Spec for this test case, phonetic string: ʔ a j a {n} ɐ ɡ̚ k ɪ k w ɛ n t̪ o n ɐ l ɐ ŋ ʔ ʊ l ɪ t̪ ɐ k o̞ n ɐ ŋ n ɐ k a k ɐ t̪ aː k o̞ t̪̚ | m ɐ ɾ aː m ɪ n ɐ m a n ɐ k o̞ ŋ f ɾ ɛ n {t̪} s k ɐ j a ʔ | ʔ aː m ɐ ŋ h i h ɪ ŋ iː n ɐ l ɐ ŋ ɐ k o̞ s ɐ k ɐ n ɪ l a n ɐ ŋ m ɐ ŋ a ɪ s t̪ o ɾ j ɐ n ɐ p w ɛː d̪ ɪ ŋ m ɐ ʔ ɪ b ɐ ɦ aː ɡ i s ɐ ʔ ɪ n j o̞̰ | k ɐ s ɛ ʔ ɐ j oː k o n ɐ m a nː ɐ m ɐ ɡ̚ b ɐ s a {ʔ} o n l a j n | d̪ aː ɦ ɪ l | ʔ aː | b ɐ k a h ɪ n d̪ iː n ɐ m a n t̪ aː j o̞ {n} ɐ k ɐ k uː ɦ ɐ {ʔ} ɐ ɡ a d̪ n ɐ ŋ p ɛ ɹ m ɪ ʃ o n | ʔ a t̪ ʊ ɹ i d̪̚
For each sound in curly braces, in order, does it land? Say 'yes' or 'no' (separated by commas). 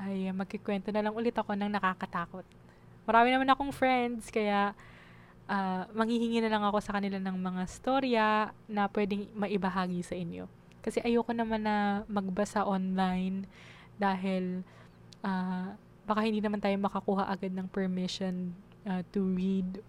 no, no, yes, no, yes